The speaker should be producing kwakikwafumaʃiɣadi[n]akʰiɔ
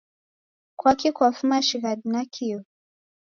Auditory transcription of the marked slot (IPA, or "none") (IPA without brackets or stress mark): n